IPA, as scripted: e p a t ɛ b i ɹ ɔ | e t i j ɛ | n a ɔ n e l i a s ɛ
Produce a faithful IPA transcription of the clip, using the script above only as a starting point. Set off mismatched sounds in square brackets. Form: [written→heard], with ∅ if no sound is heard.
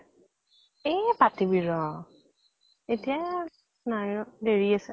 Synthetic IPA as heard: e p a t [ɛ→i] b i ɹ ɔ | e t i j [ɛ→a] | n a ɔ [n→d] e [l→ɹ] i a s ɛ